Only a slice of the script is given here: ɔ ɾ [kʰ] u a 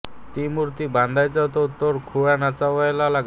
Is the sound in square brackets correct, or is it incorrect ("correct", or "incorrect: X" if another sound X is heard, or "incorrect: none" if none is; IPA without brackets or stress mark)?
correct